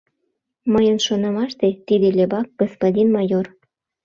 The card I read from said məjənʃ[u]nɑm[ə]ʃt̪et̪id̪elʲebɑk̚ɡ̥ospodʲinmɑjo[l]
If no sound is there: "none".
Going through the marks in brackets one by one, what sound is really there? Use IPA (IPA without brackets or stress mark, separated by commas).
o, ɑ, r